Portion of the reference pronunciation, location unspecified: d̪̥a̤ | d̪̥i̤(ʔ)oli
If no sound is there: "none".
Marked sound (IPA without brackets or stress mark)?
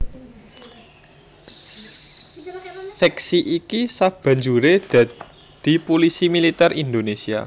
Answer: p